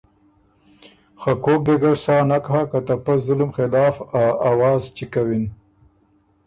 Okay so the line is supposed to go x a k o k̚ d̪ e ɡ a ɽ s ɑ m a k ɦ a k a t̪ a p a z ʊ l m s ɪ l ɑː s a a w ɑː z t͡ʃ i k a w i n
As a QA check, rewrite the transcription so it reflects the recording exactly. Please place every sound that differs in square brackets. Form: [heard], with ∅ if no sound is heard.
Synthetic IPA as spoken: x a k o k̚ d̪ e ɡ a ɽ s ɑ [n] a k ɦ a k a t̪ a p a z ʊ l m [x] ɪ l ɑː [f] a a w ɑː z t͡ʃ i k a w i n